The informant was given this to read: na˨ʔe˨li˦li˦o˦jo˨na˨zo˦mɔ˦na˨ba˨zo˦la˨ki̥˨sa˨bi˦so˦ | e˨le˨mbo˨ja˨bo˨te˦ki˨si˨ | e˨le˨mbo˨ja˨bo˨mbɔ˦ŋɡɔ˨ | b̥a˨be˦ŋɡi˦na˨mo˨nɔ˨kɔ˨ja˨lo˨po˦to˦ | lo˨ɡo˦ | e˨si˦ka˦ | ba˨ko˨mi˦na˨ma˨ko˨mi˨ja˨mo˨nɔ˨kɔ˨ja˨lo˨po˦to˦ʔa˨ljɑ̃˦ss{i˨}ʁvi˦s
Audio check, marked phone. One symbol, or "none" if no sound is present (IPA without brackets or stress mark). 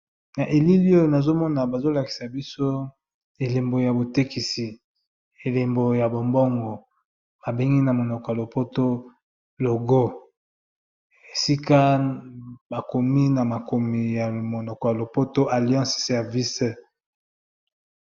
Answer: ɛ˨